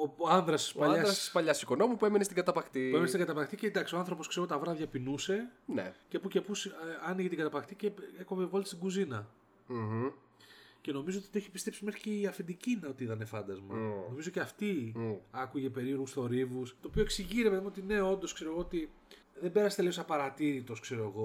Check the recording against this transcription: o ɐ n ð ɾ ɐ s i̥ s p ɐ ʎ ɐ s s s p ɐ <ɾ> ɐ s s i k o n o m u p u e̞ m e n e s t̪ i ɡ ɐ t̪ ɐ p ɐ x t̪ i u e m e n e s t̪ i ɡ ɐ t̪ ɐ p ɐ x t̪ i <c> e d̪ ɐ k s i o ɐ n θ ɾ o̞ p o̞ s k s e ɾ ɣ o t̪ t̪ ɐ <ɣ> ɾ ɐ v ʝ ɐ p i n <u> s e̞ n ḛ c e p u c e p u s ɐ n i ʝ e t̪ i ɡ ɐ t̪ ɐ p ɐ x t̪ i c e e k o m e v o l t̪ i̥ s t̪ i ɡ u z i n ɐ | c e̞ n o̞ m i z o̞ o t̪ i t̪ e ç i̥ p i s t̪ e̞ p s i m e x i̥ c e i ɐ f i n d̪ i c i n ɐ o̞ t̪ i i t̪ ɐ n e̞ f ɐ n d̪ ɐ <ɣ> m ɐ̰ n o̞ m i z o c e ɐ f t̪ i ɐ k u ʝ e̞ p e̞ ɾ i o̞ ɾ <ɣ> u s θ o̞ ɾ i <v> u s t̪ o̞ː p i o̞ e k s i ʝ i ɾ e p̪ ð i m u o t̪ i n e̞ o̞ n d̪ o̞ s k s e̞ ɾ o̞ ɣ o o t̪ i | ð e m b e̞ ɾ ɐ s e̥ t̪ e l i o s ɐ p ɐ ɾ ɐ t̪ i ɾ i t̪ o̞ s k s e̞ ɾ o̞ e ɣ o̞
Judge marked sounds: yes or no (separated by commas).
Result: no, yes, no, yes, no, yes, yes